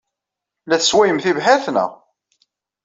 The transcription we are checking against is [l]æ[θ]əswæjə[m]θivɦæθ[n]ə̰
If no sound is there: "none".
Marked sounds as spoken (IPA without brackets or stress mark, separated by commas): l, θ, m, n